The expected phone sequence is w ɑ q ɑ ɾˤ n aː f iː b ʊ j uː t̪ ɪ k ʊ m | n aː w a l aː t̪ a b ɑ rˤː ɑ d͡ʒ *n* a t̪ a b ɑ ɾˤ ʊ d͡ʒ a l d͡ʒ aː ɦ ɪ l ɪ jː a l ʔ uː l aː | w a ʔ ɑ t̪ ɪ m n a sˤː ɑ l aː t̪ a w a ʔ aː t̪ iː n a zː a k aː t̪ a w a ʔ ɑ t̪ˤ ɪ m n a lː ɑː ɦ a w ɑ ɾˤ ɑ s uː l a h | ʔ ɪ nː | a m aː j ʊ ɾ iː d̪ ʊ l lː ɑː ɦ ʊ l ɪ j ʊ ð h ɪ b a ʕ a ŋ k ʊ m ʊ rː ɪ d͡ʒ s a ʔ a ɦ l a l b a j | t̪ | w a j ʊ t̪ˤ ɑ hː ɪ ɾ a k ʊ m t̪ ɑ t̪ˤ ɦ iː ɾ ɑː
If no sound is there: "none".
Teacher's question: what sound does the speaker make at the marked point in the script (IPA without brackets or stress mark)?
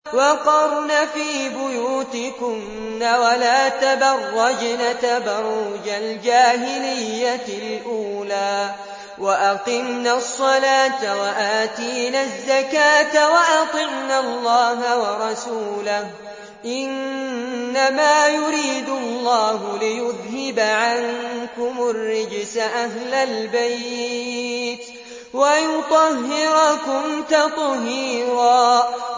n